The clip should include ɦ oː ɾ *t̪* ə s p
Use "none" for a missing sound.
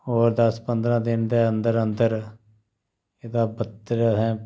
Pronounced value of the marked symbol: d̪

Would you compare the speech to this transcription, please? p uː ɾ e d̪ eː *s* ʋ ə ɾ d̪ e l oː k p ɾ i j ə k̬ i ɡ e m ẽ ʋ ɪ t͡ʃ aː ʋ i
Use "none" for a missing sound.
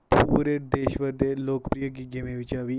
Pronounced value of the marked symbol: ʃ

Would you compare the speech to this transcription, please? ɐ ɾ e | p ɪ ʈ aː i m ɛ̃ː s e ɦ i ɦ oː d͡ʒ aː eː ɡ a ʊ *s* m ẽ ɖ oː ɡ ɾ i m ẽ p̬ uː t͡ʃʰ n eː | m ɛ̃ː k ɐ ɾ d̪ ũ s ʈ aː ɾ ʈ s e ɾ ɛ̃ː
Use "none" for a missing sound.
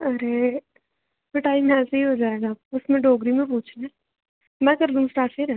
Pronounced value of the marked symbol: s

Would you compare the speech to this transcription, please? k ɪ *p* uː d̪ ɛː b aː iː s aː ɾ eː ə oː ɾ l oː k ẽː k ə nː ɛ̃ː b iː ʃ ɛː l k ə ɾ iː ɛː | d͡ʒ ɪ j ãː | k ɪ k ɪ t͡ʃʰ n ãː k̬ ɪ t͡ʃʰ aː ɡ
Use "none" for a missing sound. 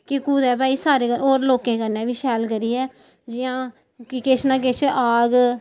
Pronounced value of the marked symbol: k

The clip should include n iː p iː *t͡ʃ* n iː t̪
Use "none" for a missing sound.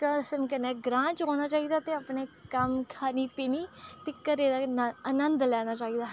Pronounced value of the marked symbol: none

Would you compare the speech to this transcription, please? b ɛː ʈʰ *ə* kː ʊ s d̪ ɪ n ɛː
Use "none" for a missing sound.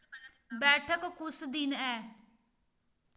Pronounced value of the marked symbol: ə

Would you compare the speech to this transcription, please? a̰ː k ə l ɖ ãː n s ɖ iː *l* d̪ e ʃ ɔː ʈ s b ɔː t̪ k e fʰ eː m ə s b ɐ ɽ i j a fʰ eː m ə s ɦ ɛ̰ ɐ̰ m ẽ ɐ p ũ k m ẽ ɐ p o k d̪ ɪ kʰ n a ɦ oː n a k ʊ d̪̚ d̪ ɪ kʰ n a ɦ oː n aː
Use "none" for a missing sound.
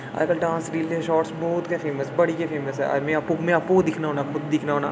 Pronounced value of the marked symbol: l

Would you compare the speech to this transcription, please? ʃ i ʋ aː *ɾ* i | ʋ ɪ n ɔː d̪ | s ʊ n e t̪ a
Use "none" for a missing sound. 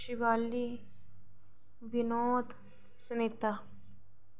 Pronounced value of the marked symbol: l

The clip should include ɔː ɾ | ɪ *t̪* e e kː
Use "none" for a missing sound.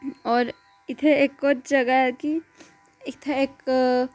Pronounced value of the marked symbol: t̪ʰ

